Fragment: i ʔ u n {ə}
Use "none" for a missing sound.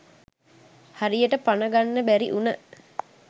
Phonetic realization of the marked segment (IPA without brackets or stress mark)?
ə